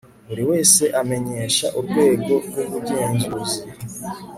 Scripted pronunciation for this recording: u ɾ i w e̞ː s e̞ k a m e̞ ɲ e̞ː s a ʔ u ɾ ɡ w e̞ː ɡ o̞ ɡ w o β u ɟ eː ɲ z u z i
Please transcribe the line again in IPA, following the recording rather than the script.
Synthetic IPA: u ɾ i w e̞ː s e̞ ʔ a m e̞ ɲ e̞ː ʃ a ʔ u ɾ ɡ w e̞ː ɡ o̞ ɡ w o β u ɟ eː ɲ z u z i